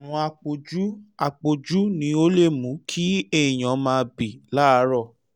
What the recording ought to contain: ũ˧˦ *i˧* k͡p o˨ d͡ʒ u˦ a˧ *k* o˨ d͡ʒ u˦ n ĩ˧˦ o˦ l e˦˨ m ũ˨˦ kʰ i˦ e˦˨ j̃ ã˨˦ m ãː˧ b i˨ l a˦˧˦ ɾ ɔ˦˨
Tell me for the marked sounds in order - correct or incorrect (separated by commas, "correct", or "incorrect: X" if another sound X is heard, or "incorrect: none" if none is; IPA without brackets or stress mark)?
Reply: incorrect: a˧, incorrect: k͡p